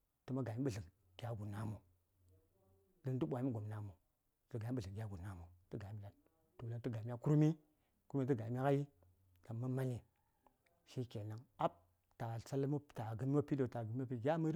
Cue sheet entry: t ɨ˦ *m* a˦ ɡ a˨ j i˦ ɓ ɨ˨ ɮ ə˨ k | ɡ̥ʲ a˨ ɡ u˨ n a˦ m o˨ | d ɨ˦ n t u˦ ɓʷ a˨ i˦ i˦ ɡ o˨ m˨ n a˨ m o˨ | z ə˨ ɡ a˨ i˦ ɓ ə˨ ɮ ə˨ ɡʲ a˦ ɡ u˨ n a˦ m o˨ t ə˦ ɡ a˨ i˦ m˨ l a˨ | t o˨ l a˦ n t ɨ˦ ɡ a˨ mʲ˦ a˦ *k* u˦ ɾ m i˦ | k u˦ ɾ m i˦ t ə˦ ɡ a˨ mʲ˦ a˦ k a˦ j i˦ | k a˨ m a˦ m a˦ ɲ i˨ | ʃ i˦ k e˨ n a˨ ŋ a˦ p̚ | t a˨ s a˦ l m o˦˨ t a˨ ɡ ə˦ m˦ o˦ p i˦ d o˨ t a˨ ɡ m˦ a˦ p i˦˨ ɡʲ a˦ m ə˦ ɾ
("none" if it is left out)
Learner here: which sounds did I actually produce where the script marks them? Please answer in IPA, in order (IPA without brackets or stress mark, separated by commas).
m, k